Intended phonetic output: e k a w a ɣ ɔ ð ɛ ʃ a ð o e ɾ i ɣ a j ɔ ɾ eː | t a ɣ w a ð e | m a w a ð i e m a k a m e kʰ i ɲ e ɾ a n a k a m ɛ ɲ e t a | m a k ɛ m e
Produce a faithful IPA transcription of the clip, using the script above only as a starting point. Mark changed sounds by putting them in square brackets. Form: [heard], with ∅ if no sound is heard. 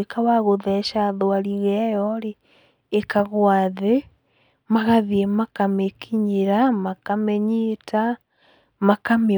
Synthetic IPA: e k a w a ɣ [o] ð ɛ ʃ a ð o [a] ɾ i ɣ [ɛ] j ɔ ɾ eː | [k] a ɣ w a ð e | m a [ɣ] a ð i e m a k a m e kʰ i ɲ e ɾ a [m] a k a m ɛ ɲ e t a | m a k [a] m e